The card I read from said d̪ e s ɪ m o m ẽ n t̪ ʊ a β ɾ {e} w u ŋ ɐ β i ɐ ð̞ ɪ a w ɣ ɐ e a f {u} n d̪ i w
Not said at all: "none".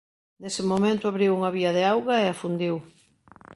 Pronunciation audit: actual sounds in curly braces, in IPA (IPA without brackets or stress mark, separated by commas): i, u